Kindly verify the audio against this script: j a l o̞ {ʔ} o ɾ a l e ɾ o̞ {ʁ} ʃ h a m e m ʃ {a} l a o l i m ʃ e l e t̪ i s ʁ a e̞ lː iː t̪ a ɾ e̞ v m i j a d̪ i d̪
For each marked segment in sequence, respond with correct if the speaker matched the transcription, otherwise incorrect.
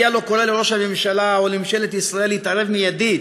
incorrect: k, incorrect: none, correct

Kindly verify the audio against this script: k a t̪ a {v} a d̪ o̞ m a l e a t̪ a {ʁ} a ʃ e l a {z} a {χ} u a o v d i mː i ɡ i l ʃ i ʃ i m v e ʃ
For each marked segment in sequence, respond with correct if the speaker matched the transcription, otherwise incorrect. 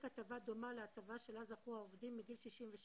correct, incorrect: v, correct, correct

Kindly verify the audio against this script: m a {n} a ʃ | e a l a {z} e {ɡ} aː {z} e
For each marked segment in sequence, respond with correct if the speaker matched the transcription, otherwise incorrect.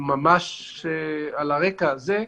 incorrect: m, incorrect: ʁ, incorrect: k, correct

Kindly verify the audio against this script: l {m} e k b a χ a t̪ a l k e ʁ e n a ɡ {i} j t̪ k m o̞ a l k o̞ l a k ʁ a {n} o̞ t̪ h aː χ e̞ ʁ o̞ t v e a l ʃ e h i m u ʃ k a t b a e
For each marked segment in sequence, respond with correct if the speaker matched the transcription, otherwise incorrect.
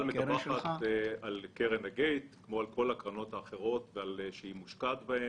correct, incorrect: e, correct

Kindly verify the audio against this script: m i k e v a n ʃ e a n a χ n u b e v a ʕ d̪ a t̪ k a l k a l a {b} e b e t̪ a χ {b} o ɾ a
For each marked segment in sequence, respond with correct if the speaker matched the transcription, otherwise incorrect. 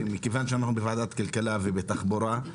incorrect: v, correct

